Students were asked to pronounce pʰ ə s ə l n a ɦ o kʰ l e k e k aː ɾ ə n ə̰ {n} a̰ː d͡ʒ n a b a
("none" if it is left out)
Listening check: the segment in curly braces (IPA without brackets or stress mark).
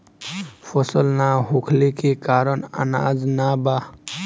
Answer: n